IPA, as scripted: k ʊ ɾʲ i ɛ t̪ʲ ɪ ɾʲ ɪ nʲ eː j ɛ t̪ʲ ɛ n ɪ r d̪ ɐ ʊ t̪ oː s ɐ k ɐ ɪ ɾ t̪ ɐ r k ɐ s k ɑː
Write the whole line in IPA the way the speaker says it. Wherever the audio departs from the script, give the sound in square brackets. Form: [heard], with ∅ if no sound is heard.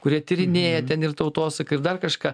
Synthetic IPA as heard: k ʊ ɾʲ i ɛ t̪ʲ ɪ ɾʲ ɪ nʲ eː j ɛ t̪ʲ ɛ n ɪ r [t̪] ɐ ʊ t̪ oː s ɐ k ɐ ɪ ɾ [d̪] ɐ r k ɐ [ʃ] k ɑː